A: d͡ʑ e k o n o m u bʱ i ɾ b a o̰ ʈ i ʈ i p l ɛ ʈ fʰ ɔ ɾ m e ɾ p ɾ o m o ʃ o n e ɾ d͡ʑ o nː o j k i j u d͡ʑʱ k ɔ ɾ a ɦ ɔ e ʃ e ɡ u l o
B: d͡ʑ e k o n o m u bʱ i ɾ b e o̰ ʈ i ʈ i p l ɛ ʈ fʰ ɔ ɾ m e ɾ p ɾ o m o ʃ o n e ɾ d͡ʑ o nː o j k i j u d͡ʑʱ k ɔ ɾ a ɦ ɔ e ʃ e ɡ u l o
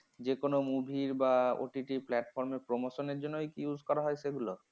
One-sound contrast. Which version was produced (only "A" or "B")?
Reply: A